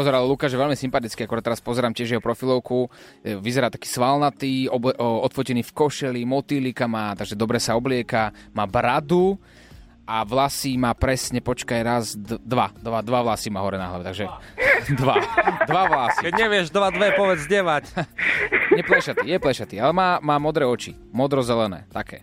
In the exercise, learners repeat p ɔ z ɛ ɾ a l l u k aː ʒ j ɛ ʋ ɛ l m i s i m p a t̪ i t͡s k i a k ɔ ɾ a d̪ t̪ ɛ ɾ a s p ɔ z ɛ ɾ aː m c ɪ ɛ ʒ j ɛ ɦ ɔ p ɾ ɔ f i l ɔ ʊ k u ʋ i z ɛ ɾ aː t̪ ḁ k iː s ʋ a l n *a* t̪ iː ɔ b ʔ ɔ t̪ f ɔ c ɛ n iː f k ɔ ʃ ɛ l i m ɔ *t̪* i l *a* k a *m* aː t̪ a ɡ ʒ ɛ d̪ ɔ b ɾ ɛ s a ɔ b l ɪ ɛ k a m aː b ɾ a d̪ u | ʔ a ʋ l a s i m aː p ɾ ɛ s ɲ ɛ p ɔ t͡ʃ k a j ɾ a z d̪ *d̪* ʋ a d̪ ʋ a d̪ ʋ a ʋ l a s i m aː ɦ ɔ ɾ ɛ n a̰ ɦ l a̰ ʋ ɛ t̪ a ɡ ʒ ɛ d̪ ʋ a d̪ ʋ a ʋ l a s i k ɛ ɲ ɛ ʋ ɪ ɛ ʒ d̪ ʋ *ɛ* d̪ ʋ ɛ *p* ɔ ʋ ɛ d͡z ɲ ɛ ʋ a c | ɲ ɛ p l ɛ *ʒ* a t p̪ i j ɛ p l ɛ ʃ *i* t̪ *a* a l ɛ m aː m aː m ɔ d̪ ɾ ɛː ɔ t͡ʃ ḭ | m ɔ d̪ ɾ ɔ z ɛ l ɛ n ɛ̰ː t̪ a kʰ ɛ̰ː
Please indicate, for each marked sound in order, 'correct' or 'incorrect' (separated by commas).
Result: correct, correct, incorrect, correct, correct, incorrect, correct, incorrect, incorrect, incorrect